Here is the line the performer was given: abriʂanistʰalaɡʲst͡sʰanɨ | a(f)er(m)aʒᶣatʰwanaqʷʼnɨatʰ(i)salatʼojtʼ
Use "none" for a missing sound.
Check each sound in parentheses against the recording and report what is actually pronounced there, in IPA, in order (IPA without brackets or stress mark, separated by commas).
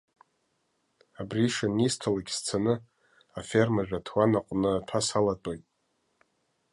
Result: f, m, a